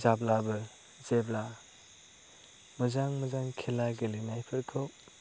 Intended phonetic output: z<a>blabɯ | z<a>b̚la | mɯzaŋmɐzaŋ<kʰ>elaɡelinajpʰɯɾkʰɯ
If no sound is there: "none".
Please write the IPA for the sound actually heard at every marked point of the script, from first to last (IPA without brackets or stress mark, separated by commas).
a, e, kʰ